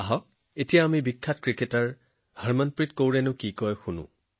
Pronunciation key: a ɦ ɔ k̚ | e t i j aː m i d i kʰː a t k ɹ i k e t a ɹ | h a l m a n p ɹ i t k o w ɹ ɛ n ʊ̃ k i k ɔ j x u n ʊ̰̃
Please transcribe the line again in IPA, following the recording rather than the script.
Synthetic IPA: a ɦ ɔ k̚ | e t i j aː m i b i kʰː a t k ɹ i k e t a ɹ | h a ɹ m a n p ɹ i t k o w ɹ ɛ n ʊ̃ k i k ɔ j x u n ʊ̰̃